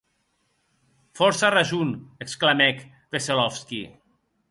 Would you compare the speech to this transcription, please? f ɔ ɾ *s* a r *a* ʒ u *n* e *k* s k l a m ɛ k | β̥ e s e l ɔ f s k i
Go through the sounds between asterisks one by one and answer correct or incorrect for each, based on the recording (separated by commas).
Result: correct, correct, correct, correct